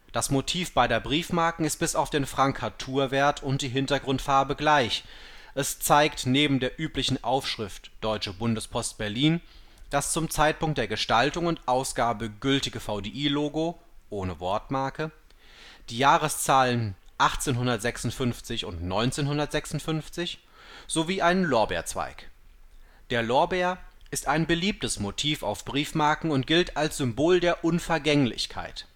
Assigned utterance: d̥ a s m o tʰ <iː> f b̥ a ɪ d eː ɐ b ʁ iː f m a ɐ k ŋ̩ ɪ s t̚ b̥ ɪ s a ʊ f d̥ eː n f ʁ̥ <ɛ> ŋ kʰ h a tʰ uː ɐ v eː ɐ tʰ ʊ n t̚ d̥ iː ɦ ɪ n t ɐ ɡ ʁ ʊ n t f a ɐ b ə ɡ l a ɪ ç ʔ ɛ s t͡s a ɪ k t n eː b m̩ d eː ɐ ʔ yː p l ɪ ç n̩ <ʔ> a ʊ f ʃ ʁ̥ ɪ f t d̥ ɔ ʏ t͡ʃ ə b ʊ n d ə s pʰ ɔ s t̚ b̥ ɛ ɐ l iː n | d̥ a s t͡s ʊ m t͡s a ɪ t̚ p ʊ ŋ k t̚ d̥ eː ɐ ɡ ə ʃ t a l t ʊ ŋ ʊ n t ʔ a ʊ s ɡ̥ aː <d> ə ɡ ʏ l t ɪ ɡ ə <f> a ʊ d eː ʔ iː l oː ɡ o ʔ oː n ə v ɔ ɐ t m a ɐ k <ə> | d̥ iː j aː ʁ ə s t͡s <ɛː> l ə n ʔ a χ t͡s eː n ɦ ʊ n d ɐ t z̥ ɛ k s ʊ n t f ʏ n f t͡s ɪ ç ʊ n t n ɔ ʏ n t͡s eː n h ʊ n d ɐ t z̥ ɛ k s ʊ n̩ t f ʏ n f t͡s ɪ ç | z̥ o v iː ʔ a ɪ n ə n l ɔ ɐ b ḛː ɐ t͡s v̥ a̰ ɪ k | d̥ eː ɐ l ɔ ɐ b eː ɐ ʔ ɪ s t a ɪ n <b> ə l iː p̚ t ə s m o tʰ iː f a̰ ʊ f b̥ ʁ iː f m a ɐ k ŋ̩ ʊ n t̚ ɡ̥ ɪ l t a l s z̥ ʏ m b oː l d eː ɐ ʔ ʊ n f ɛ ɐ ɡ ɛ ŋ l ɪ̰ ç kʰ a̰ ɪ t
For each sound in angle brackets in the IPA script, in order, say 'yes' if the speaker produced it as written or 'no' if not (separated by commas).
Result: yes, no, yes, no, yes, yes, no, yes